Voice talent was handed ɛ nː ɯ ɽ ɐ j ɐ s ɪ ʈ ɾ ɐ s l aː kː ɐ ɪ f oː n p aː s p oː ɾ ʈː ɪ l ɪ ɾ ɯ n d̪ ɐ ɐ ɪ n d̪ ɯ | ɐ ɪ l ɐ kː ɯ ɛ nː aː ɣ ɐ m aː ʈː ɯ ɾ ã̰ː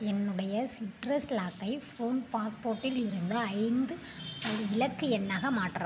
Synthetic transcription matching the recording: ɛ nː ɯ ɽ ɐ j ɐ s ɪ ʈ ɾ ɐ s l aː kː ɐ ɪ f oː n p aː s p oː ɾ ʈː ɪ l ɪ ɾ ɯ n d̪ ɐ ɐ ɪ n d̪ ɯ | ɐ ɪ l ɐ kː ɯ ɛ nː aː ɣ ɐ m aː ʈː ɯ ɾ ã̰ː

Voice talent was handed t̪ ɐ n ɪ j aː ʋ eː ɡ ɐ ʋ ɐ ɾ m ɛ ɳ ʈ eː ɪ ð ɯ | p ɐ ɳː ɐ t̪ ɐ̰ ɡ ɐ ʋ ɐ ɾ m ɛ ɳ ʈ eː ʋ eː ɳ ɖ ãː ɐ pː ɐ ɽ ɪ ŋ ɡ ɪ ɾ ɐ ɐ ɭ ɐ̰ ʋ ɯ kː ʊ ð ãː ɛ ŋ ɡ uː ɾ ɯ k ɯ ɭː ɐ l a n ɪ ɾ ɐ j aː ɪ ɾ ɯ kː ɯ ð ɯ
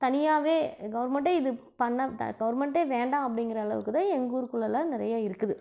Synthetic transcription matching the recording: t̪ ɐ n ɪ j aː ʋ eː ɡ ɐ ʋ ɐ ɾ m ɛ ɳ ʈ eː ɪ ð ɯ | p ɐ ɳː ɐ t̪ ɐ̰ ɡ ɐ ʋ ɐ ɾ m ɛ ɳ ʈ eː ʋ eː ɳ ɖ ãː ɐ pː ɐ ɽ ɪ ŋ ɡ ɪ ɾ ɐ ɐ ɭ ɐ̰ ʋ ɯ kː ɯ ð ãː ɛ ŋ ɡ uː ɾ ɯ k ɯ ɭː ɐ l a n ɪ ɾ ɐ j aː ɪ ɾ ɯ kː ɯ ð ɯ

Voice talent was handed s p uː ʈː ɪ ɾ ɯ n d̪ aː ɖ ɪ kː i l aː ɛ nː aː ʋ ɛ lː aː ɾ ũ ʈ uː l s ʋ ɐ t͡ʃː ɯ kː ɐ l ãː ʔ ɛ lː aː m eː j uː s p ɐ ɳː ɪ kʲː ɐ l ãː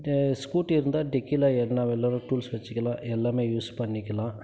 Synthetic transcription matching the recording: s k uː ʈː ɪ ɾ ɯ n d̪ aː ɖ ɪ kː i l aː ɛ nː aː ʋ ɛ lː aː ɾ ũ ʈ uː l s ʋ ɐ t͡ʃː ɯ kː ɐ l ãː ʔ ɛ lː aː m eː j uː s p ɐ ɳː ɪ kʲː ɐ l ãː

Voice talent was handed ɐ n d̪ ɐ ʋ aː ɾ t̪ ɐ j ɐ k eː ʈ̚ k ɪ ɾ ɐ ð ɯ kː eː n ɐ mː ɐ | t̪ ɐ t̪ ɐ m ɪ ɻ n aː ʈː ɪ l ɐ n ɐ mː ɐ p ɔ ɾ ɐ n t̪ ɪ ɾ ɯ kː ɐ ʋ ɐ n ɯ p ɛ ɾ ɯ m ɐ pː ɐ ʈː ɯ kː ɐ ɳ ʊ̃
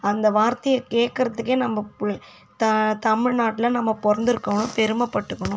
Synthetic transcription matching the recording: ɐ n d̪ ɐ ʋ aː ɾ t̪ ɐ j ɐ k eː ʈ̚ k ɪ ɾ ɐ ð ɯ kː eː n ɐ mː ɐ | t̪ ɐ t̪ ɐ m ɪ ɻ n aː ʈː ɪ l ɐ n ɐ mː ɐ p ɔ ɾ ɐ n d̪ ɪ ɾ ɯ kː ɐ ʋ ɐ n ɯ p ɛ ɾ ɯ m ɐ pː ɐ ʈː ɯ kː ɐ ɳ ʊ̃

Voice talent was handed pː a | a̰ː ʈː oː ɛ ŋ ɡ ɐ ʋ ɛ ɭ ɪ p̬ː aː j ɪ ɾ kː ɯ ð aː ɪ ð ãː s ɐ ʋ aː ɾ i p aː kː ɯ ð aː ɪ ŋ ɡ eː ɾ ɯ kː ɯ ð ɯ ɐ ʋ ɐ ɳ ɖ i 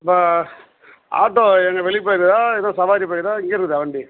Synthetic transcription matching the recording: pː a | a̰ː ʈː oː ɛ ŋ ɡ ɐ ʋ ɛ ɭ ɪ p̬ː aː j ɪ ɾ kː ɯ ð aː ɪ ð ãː s ɐ ʋ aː ɾ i p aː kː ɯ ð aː ɪ ŋ ɡ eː ɾ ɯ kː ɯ ð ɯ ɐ ʋ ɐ ɳ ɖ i

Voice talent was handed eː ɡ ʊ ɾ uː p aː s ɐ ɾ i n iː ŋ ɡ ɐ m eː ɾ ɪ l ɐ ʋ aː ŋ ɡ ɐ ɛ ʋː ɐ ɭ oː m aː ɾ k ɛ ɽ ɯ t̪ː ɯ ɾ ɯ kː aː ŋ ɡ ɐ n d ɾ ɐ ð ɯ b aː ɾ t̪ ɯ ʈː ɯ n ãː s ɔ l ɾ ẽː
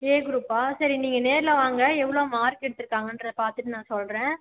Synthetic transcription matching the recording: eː ɡ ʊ ɾ uː p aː s ɐ ɾ i n iː ŋ ɡ ɐ n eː ɾ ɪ l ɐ ʋ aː ŋ ɡ ɐ ɛ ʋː ɐ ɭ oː m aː ɾ k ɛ ɽ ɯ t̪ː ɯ ɾ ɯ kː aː ŋ ɡ ɐ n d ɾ ɐ ð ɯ p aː ɾ t̪ ɯ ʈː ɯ n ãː s ɔ l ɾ ẽː

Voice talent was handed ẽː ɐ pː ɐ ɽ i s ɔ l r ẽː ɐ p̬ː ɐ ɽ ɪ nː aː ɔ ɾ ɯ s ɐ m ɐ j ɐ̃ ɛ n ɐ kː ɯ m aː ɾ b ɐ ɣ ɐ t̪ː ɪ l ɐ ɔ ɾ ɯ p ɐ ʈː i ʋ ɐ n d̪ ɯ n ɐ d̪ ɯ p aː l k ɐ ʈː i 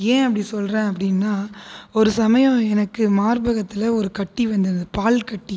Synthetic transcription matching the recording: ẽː ɐ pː ɐ ɽ i s ɔ l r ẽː ɐ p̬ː ɐ ɽ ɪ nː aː ɔ ɾ ɯ s ɐ m ɐ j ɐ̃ ɛ n ɐ kː ɯ m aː ɾ b ɐ ɣ ɐ t̪ː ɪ l ɐ ɔ ɾ ɯ k ɐ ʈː i ʋ ɐ n d̪ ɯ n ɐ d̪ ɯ p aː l k ɐ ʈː i

